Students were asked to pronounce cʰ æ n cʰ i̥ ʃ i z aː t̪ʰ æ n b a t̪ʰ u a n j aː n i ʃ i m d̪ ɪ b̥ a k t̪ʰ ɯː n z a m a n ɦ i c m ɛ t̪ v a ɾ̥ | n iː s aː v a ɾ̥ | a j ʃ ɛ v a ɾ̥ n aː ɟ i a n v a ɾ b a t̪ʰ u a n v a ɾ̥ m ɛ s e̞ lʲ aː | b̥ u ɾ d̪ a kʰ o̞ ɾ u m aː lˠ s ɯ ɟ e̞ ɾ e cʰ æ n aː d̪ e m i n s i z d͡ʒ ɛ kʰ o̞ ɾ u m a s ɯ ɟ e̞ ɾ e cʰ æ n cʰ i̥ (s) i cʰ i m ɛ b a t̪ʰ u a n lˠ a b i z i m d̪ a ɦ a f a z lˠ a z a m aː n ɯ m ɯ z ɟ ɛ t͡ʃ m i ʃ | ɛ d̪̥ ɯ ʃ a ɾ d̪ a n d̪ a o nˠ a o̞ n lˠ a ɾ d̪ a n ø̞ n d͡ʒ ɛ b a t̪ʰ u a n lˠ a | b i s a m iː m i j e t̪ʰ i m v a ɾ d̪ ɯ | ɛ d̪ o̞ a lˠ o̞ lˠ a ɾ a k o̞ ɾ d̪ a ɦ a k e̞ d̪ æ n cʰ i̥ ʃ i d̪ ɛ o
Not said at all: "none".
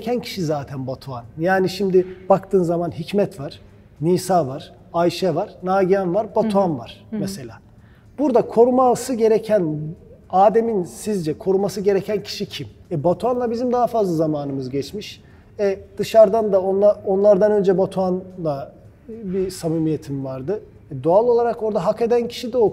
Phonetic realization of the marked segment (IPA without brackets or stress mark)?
ʃ